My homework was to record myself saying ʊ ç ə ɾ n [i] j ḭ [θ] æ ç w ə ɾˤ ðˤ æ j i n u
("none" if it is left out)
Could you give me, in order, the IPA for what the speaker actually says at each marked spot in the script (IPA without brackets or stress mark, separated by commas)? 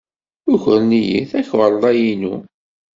i, θ